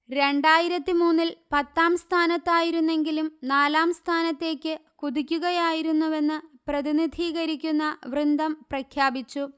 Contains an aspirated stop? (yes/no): yes